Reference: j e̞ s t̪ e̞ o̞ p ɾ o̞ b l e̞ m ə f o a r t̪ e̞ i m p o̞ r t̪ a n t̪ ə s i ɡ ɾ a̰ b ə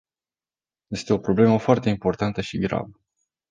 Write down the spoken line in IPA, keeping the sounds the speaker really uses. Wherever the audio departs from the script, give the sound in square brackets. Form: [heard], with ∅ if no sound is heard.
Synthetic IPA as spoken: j e̞ s t̪ e̞ o̞ p ɾ o̞ b l e̞ m ə f o a r t̪ e̞ i m p o̞ r t̪ a n t̪ ə [ʃ] i ɡ ɾ a̰ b ə